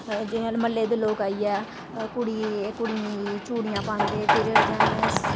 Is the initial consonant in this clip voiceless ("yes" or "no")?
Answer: no